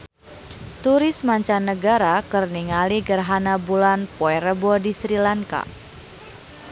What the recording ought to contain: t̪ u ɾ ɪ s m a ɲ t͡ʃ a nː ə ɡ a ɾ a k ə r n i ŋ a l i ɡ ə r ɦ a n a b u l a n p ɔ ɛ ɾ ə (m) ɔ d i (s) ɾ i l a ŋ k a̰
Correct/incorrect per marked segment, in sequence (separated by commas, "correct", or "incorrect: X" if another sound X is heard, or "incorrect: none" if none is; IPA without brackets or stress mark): incorrect: b, correct